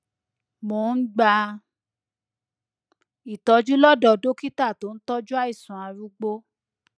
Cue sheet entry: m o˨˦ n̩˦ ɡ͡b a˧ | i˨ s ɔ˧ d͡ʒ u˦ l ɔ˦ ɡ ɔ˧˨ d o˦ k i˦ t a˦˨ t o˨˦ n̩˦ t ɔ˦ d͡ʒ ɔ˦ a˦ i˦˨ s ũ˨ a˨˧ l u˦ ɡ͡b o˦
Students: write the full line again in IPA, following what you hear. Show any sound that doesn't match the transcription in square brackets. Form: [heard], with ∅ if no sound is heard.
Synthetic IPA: m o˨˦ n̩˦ ɡ͡b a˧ | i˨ [t] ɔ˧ d͡ʒ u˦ l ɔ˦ [d] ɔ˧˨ d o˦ k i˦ t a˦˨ t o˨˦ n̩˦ t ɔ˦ d͡ʒ [u˦] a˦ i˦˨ s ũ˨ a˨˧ [ɾ] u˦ ɡ͡b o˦